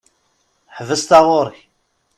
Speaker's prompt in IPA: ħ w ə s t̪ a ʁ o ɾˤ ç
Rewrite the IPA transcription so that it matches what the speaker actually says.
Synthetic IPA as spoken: ħ v ə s t̪ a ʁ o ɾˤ ç